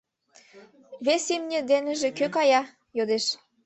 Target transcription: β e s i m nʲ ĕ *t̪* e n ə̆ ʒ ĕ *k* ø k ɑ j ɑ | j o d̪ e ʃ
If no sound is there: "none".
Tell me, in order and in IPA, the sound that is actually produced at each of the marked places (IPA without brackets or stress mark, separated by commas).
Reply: d̪, k